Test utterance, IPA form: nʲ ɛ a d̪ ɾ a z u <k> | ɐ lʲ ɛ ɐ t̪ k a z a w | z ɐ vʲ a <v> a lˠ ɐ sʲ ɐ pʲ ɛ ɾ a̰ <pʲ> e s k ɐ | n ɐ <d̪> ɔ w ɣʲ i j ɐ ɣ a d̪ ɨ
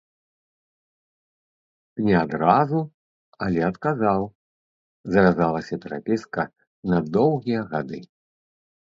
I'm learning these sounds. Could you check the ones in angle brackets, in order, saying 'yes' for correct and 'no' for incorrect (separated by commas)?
no, no, yes, yes